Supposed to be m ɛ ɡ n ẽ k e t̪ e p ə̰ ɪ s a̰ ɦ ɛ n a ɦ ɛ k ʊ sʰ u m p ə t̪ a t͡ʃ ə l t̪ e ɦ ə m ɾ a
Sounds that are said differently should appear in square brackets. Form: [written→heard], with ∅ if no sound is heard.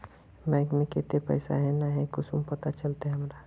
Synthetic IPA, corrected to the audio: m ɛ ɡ [n→m] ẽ k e t̪ e p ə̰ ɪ s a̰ ɦ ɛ n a ɦ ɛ k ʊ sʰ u m p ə t̪ a t͡ʃ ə l t̪ e ɦ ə m ɾ a